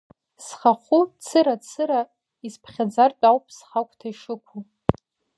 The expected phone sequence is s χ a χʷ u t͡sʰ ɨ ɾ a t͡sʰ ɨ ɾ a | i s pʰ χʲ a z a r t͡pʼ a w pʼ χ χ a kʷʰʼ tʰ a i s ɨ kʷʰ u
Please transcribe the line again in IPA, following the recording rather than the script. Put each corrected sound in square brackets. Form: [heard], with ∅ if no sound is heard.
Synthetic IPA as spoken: s χ a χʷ u t͡sʰ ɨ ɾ a t͡sʰ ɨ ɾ a | i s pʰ χʲ a [d͡z] a r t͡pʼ a w pʼ [s] χ a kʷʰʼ tʰ a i [ʂ] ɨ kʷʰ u